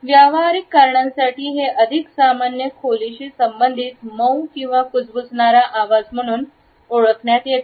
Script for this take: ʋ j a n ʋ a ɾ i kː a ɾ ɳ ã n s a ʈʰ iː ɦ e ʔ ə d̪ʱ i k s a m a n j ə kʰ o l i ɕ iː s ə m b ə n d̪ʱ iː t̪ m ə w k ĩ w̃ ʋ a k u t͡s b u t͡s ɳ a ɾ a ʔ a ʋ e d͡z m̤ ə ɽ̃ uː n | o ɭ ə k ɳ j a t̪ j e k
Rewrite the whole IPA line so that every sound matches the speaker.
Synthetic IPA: ʋ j a ʋ a ɾ i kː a ɾ ɳ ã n s a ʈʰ iː ɦ e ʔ ə d̪ʱ i k s a m a n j ə kʰ o l i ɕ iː s ə m b ə n d̪ʱ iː t̪ m ə w k ĩ w̃ ʋ a k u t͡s b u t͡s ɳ a ɾ a ʔ a ʋ a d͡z m̤ ə ɽ̃ uː n | o ɭ ə k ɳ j a t̪ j e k